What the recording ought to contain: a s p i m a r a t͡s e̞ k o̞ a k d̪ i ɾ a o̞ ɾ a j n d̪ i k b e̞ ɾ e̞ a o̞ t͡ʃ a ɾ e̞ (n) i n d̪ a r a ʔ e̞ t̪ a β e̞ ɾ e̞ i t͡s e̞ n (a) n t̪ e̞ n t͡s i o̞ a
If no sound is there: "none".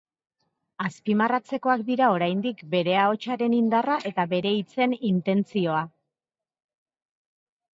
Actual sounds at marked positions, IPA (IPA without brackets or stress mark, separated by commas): n, i